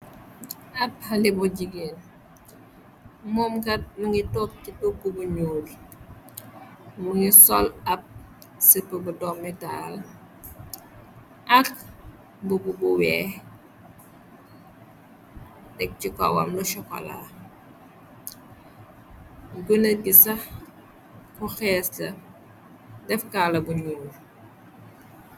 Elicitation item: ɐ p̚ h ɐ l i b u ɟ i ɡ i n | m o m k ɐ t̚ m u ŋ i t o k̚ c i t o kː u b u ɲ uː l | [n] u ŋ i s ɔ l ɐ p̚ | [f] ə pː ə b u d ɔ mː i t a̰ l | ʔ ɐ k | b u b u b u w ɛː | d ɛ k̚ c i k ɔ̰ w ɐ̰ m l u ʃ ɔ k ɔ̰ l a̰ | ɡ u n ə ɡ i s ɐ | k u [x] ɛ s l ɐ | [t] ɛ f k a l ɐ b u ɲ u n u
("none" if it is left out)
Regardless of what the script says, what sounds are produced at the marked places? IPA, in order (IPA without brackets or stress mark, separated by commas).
m, s, x, d